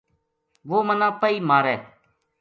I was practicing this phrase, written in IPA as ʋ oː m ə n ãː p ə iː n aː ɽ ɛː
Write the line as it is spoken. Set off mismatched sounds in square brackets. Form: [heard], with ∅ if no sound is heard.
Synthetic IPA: ʋ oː m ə n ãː p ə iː [m] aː [ɾ] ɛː

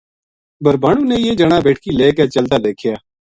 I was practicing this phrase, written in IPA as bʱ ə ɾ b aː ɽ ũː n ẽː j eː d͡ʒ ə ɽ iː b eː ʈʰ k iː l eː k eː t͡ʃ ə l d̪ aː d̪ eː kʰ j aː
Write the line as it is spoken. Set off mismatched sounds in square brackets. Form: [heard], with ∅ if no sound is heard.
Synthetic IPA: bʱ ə ɾ b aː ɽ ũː n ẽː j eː d͡ʒ ə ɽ [aː] b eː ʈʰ k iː l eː k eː t͡ʃ ə l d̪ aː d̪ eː kʰ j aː

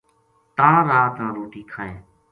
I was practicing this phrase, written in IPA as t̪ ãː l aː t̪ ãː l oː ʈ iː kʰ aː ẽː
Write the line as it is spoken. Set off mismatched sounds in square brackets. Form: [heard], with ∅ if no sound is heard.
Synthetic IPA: t̪ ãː [ɾ] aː t̪ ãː [ɾ] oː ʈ iː kʰ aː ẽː

